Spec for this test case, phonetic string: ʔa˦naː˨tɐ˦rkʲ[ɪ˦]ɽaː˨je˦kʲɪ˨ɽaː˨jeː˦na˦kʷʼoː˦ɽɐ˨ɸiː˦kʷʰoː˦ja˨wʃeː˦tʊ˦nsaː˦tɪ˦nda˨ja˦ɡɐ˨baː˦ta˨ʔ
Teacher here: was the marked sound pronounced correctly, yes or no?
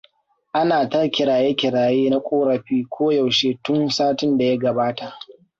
no